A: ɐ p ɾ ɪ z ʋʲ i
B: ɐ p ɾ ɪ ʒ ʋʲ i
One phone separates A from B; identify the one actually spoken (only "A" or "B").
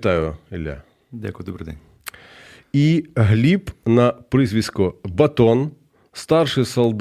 A